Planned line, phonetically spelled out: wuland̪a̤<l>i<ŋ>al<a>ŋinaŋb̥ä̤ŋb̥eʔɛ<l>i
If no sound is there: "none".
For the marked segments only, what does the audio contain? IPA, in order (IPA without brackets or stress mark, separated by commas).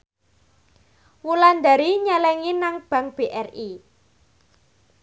ɾ, ɲ, ɛ, r